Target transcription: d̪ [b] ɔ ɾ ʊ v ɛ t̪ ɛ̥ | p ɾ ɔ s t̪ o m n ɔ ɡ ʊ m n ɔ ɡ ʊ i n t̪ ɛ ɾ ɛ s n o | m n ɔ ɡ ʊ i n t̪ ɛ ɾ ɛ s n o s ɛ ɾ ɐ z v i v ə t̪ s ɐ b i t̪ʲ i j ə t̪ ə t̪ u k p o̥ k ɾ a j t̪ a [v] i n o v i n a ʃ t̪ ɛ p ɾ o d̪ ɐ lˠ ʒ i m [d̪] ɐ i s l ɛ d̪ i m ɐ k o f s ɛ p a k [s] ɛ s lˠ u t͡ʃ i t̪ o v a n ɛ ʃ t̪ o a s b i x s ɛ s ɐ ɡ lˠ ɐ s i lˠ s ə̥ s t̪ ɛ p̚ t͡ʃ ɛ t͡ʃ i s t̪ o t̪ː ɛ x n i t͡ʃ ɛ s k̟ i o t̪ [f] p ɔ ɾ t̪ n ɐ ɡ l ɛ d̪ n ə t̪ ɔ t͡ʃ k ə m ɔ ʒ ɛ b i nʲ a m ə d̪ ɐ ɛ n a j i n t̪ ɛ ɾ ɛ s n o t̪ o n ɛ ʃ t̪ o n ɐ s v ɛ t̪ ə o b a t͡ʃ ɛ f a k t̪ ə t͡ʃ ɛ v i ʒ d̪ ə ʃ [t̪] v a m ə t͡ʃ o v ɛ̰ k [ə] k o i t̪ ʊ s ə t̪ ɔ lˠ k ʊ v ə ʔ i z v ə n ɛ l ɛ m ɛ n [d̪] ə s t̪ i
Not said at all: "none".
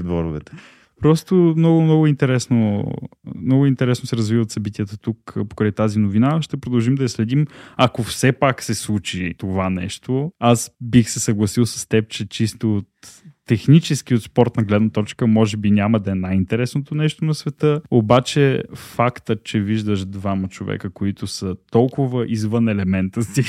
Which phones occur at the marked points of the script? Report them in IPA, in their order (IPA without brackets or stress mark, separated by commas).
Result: v, z, d̪, s, s, d̪, ə, t̪